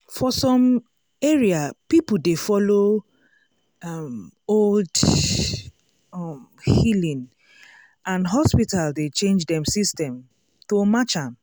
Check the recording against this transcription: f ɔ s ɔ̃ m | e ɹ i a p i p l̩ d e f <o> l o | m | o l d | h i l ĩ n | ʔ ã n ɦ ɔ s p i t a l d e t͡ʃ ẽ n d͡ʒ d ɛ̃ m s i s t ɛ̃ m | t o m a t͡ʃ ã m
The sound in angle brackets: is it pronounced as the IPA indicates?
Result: no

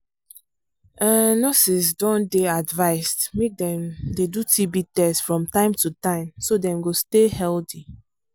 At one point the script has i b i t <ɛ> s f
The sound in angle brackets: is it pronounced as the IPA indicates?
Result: yes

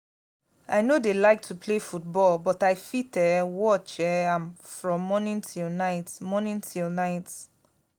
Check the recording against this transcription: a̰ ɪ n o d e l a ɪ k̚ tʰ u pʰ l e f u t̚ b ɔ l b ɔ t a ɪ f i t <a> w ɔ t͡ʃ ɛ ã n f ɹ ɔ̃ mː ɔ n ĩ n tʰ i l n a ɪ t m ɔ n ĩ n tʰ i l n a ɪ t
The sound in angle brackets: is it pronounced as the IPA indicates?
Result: no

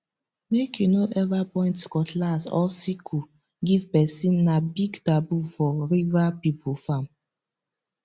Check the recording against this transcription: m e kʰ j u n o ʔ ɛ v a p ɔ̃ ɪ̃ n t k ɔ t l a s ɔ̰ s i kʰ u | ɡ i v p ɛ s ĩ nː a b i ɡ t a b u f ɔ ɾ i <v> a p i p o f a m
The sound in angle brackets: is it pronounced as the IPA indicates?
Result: yes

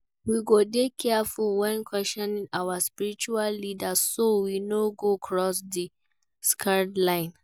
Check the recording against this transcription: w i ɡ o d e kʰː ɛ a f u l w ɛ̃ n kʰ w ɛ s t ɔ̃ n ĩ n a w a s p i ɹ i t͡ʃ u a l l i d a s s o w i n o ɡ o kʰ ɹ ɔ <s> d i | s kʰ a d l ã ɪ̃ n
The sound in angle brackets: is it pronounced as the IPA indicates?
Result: yes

